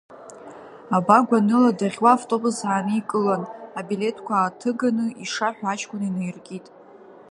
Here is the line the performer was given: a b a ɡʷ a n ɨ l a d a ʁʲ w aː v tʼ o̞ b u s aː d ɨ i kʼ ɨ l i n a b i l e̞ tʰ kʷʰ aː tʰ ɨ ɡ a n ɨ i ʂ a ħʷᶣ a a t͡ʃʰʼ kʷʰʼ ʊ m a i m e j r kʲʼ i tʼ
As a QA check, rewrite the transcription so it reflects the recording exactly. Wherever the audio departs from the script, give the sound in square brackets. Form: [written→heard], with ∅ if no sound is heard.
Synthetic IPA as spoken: a b a ɡʷ a n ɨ l a d a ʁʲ w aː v tʼ o̞ b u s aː [d→n] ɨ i kʼ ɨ l [i→a] n a b i l e̞ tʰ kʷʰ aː tʰ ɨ ɡ a n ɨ i ʂ a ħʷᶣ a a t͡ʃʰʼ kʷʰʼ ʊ [m→n] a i [m→n] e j r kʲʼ i tʼ